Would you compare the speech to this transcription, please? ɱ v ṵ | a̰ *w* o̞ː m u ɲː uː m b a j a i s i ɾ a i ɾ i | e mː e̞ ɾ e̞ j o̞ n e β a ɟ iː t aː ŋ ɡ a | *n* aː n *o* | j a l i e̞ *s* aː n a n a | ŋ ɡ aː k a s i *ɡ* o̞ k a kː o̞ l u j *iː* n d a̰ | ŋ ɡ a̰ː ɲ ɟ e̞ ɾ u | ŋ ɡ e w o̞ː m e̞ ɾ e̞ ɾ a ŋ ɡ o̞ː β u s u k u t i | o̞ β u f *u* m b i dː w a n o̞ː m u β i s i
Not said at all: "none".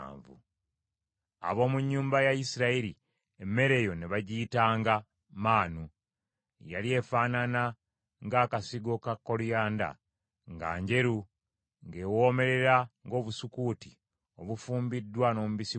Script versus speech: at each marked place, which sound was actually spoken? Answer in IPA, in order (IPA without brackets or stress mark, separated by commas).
β, m, u, f, ɡ, aː, uː